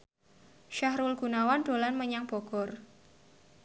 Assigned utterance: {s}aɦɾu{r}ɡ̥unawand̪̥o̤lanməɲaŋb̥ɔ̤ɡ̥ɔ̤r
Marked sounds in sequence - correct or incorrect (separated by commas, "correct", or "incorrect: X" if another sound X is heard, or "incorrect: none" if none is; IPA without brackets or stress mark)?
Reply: incorrect: ʃ, incorrect: l